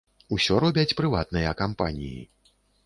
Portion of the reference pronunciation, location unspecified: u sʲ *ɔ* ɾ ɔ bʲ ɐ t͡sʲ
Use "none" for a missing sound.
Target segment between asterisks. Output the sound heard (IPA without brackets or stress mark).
ɔ